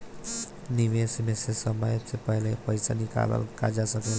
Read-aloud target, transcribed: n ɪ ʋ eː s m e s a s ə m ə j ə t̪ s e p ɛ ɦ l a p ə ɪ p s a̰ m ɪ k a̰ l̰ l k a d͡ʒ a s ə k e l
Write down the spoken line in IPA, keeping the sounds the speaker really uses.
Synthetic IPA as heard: n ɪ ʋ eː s m e s e s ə m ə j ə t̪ s e p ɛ ɦ l e p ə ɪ s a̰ n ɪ k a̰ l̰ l k a d͡ʒ a s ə k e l